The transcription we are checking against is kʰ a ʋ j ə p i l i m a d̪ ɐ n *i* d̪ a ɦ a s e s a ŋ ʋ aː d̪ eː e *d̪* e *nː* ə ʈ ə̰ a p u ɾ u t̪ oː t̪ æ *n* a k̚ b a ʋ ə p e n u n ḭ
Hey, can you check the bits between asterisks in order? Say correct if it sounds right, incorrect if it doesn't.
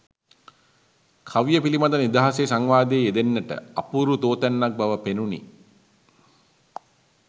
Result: correct, correct, correct, incorrect: nː

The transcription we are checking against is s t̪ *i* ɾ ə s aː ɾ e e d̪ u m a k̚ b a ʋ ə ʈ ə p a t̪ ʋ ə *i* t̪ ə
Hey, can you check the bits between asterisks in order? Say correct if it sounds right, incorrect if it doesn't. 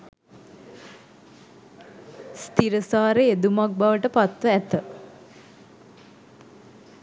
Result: correct, incorrect: æ

